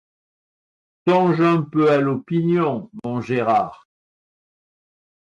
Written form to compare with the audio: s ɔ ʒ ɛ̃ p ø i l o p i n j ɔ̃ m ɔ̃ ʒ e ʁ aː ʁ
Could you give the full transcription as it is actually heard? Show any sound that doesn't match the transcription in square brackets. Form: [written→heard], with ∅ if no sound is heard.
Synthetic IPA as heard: s [ɔ→ɔ̃] ʒ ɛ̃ p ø [i→a] l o p i n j ɔ̃ m ɔ̃ ʒ e ʁ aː ʁ